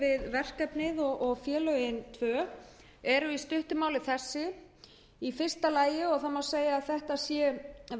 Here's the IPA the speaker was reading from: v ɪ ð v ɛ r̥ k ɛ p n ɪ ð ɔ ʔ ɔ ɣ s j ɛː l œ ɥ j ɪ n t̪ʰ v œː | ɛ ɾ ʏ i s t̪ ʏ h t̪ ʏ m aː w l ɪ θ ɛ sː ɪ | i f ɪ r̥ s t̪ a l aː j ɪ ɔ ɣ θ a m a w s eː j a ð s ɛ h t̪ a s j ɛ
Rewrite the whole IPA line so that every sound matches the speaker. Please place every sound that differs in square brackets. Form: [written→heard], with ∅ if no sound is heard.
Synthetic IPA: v ɪ ð v ɛ r̥ k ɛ p n ɪ ð ɔ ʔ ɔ ɣ [s→f] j ɛː l œ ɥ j ɪ n t̪ʰ v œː | ɛ ɾ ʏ i s t̪ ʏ h t̪ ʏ m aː w l ɪ θ ɛ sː ɪ | i f ɪ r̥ s t̪ a l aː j ɪ ɔ ɣ θ a m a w s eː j a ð [s→θ] ɛ h t̪ a s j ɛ